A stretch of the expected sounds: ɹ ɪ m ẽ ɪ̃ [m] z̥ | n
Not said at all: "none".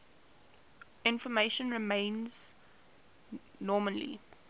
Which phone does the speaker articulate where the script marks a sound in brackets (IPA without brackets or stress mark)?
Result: n